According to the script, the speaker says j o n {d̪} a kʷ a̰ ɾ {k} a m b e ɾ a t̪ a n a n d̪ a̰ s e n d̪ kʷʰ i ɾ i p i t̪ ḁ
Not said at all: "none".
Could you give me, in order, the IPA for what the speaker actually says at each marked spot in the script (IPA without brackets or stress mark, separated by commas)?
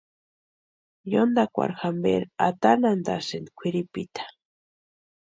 d̪, x